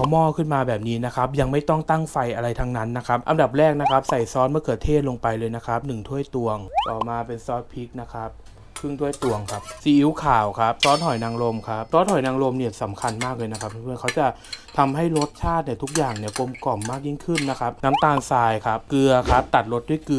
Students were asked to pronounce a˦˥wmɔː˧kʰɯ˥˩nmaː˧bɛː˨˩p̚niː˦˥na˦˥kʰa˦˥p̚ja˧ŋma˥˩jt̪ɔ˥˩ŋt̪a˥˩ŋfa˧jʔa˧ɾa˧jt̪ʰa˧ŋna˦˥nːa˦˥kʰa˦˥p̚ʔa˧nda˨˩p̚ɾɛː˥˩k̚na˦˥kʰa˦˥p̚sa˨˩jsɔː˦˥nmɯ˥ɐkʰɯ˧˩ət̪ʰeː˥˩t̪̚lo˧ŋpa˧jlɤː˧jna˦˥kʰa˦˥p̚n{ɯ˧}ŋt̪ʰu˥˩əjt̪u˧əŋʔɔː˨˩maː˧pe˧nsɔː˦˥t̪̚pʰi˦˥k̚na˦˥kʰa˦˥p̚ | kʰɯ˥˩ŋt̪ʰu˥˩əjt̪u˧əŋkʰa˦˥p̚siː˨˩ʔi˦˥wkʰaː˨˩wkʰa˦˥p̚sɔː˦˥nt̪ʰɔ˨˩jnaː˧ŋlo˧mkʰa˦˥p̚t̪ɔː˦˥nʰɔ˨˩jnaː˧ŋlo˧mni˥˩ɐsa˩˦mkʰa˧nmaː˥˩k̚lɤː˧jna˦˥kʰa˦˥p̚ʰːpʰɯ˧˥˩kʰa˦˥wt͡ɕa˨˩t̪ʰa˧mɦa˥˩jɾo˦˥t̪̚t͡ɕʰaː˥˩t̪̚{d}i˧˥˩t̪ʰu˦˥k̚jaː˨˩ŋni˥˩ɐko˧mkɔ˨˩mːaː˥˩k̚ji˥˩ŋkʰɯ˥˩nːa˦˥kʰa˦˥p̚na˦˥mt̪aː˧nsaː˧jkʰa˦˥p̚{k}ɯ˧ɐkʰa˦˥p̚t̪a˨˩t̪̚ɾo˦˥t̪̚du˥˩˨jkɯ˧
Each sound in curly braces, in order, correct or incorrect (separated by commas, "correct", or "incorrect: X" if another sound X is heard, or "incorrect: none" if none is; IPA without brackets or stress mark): incorrect: ɯ˨˩, incorrect: n, correct